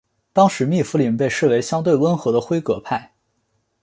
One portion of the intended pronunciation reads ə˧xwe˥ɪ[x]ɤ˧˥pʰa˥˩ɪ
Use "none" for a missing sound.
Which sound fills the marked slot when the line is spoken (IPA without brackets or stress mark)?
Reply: k